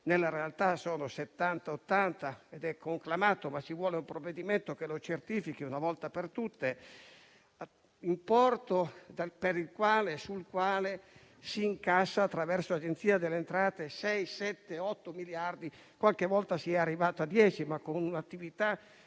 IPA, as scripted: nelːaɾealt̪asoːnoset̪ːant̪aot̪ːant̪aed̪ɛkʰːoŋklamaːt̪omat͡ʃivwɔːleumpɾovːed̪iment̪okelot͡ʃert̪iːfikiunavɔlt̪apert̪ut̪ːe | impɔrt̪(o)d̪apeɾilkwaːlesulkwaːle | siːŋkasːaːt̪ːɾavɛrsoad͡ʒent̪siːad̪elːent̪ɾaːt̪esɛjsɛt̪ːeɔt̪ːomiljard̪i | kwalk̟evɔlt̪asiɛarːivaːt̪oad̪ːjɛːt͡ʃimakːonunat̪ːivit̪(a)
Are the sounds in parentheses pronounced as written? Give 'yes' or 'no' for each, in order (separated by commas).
yes, yes